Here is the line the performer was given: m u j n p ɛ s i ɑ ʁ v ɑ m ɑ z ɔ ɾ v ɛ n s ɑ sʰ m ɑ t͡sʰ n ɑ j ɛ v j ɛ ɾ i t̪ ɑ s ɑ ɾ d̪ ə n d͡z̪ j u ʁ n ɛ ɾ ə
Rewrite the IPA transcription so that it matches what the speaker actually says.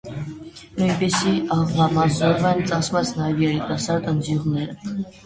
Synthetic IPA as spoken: n u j n p ɛ s i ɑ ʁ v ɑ m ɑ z ɔ ɾ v ɛ n t͡s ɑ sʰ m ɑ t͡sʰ n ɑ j ɛ v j ɛ ɾ i t̪ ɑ s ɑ ɾ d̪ ə n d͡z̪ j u ʁ n ɛ ɾ ə